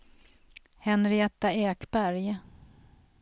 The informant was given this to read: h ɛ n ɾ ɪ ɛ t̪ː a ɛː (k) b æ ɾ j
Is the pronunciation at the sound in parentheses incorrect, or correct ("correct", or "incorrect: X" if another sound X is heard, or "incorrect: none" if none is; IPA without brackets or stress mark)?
correct